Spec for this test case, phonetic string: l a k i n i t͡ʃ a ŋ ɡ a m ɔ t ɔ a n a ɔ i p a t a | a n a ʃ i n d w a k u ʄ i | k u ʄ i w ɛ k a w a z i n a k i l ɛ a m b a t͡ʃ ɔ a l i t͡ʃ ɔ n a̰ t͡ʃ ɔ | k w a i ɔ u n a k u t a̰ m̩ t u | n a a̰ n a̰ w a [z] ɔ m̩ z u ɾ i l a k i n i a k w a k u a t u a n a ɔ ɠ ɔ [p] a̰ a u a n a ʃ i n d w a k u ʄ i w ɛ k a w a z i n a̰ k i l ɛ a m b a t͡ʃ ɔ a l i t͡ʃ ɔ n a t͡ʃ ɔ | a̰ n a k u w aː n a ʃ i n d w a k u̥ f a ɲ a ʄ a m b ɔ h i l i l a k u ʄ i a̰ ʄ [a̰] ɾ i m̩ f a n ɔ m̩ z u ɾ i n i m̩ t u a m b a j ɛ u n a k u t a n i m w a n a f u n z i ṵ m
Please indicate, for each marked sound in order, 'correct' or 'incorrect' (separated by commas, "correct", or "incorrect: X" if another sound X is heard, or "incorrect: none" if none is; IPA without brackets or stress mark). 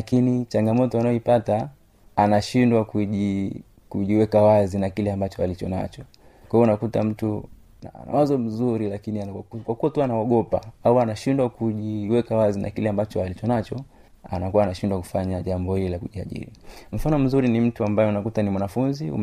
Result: correct, correct, incorrect: ḭ